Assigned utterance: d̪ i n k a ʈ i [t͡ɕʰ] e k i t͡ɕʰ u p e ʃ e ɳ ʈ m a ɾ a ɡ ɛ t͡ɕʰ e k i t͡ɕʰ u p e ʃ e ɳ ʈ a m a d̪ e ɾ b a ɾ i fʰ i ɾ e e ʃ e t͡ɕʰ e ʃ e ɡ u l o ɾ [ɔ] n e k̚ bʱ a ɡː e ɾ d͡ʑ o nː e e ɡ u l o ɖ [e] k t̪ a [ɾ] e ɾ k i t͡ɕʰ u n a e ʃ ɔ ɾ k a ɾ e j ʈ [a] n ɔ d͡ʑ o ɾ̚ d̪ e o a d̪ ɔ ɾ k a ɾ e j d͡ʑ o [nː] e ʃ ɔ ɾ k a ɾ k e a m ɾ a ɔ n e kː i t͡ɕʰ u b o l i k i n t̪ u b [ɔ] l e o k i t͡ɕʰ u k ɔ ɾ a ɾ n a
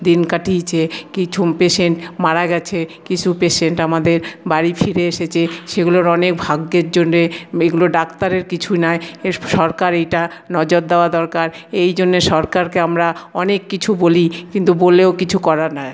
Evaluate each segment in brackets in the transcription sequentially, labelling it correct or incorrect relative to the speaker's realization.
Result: correct, correct, incorrect: a, correct, correct, correct, incorrect: o

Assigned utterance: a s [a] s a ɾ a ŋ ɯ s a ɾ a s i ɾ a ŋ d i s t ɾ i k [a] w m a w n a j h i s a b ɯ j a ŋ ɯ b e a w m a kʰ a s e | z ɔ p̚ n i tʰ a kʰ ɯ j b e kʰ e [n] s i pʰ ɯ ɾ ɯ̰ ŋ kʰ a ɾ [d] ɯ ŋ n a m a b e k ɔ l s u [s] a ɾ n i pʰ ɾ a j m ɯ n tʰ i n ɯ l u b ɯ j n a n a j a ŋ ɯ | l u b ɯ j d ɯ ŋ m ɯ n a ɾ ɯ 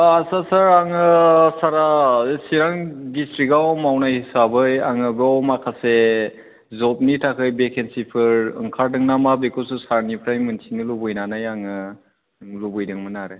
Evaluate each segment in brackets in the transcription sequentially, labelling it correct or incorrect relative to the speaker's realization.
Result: correct, correct, correct, correct, correct

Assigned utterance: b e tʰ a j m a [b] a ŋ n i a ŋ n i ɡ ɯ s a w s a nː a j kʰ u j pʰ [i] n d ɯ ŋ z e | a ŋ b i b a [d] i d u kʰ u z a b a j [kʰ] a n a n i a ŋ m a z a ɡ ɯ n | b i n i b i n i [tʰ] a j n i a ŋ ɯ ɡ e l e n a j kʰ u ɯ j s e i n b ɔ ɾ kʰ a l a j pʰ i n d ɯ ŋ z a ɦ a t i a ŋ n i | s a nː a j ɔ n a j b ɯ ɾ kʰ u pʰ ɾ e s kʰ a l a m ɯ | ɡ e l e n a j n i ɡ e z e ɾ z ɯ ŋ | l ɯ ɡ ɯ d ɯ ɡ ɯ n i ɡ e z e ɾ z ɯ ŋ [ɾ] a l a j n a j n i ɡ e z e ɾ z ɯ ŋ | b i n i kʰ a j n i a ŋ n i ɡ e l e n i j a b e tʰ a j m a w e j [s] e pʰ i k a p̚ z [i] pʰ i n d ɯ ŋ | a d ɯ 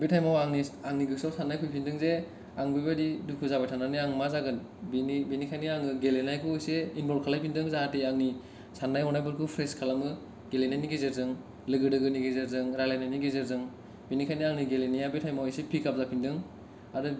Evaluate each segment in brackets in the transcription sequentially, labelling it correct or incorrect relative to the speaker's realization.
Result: incorrect: w, correct, correct, incorrect: tʰ, incorrect: kʰ, correct, correct, incorrect: a

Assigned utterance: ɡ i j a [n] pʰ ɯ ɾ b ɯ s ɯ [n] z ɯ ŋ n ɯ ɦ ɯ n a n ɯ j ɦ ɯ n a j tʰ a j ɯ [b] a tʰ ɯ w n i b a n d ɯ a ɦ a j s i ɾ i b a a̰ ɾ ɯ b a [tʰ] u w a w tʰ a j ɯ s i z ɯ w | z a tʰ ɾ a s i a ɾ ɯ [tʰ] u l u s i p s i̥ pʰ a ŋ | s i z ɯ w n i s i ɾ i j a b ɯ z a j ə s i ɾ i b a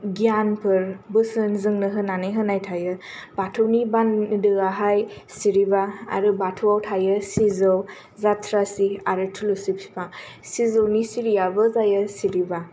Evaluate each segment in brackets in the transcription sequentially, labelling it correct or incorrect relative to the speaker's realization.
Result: correct, correct, correct, correct, correct

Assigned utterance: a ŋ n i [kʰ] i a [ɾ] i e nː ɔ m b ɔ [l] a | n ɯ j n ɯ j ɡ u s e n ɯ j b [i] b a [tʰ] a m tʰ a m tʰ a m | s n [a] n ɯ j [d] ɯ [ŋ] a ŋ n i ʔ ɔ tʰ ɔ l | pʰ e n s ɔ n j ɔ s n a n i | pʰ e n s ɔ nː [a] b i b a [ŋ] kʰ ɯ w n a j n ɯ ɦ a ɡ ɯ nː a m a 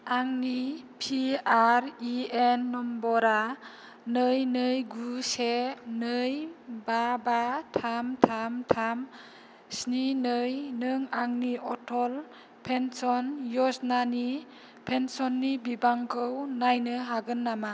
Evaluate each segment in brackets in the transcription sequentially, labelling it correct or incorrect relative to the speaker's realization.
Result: incorrect: pʰ, correct, incorrect: ɾ, incorrect: a, correct, incorrect: i, incorrect: n, correct, incorrect: i, correct

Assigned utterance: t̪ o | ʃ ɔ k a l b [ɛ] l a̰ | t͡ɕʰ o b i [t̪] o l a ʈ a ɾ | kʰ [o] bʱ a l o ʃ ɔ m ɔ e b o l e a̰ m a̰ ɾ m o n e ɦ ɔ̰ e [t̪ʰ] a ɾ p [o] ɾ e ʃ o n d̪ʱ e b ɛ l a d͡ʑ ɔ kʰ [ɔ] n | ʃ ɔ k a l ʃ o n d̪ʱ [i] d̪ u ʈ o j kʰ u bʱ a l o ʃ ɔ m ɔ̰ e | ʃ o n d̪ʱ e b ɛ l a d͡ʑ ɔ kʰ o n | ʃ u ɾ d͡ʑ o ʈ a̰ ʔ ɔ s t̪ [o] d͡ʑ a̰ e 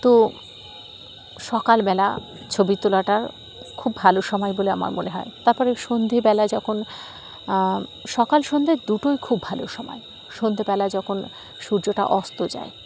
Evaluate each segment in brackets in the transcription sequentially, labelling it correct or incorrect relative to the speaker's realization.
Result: correct, correct, incorrect: u, incorrect: t̪, incorrect: ɔ, incorrect: o, incorrect: e, correct

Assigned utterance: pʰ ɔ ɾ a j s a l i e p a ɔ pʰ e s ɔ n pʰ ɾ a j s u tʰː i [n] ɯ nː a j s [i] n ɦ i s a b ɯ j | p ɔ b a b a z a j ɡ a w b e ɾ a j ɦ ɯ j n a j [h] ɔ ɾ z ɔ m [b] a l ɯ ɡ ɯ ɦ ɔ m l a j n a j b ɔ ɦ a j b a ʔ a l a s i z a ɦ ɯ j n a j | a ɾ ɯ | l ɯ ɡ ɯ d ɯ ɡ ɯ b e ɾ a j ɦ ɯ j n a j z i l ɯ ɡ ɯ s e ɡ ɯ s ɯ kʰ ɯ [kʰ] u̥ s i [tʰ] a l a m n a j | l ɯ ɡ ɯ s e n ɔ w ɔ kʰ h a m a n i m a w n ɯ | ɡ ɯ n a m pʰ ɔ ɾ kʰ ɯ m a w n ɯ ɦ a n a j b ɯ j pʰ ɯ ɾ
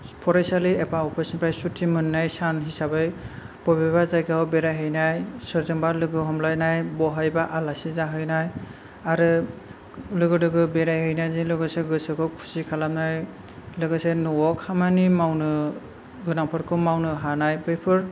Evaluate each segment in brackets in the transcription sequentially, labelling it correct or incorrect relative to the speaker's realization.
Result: incorrect: m, incorrect: a, incorrect: s, correct, correct, incorrect: kʰ

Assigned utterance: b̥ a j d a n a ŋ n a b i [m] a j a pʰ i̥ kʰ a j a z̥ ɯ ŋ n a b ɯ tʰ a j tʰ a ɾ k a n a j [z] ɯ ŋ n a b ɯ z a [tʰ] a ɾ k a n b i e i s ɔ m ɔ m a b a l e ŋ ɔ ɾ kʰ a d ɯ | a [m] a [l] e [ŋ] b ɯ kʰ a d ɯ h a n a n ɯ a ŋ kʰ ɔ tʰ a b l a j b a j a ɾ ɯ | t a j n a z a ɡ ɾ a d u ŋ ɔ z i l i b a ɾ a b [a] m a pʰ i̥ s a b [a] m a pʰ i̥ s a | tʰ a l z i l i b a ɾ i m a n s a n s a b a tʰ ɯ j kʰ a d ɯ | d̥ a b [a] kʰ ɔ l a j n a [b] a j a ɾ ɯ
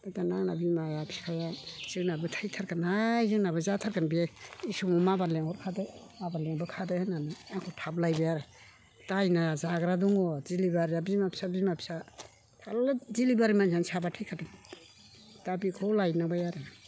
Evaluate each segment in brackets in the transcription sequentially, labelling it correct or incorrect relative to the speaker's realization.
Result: correct, correct, correct, incorrect: b, correct, correct, incorrect: i, incorrect: i, incorrect: i, correct

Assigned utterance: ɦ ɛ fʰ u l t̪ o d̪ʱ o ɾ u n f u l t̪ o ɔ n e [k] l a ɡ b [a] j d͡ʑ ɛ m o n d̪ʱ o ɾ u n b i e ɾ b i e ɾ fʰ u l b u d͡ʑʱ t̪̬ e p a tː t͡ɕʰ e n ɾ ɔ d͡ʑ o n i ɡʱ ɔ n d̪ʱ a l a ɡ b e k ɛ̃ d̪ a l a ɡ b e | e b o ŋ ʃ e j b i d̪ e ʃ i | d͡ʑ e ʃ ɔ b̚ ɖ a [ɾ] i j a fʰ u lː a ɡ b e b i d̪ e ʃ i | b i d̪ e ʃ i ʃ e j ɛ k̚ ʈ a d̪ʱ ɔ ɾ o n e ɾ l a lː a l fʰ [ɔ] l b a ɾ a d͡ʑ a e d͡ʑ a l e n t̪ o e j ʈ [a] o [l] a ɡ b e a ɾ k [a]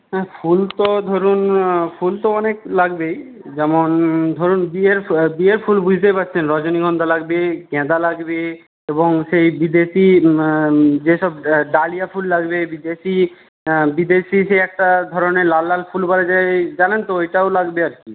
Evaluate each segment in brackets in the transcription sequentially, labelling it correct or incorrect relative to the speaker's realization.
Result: correct, incorrect: e, incorrect: l, incorrect: u, correct, correct, incorrect: i

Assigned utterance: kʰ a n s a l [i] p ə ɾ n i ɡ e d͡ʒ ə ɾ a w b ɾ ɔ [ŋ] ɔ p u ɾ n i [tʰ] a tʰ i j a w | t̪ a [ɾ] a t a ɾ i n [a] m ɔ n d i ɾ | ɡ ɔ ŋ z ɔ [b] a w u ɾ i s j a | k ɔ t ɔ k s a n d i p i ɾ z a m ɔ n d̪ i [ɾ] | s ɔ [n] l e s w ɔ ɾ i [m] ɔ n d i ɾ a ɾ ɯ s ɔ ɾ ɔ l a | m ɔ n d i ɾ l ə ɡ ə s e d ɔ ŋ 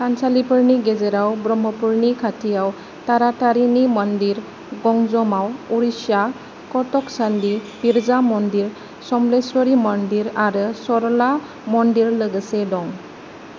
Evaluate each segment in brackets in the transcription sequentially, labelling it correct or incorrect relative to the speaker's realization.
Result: correct, incorrect: m, incorrect: kʰ, correct, incorrect: i, incorrect: m, correct, incorrect: m, correct

